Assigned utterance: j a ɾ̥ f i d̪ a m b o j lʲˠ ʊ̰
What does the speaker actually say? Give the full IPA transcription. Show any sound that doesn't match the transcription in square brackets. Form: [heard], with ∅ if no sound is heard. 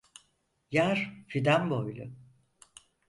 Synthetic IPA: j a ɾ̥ f i d̪ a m b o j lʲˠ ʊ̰